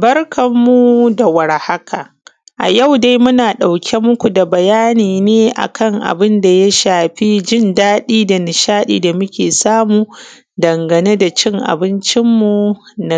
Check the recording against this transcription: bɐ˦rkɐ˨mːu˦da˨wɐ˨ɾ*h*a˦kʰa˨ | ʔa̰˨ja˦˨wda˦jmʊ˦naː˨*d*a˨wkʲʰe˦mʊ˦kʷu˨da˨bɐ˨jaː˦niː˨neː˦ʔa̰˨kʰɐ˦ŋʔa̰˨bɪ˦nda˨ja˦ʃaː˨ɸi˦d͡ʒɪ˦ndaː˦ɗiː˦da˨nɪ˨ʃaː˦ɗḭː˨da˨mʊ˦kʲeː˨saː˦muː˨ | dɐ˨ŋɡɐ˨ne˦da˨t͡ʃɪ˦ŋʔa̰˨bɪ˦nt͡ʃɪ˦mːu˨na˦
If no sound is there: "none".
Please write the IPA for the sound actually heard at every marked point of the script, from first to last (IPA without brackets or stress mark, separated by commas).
h, ɗ